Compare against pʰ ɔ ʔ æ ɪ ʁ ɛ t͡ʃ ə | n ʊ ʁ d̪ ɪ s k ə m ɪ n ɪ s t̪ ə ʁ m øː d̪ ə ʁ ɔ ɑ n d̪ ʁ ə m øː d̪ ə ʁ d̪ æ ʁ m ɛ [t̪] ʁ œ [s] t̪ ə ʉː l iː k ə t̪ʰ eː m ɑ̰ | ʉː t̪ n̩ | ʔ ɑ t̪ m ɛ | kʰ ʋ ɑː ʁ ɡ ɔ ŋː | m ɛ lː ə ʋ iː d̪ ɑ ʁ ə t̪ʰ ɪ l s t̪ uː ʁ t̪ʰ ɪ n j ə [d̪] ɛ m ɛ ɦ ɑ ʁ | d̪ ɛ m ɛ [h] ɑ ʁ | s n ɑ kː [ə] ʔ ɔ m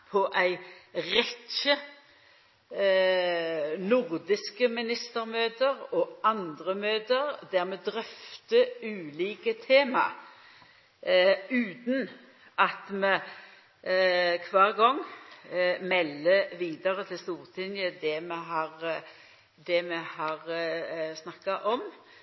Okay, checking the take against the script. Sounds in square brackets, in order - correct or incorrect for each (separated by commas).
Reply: incorrect, incorrect, correct, correct, incorrect